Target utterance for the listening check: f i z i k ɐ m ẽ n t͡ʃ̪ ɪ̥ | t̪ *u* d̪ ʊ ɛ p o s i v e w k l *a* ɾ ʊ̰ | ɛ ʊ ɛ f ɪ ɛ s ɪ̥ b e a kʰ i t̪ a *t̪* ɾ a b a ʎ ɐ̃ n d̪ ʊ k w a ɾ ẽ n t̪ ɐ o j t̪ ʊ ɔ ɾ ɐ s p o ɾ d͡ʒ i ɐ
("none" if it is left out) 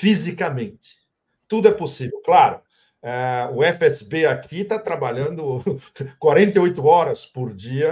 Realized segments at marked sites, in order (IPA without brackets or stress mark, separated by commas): u, a, t̪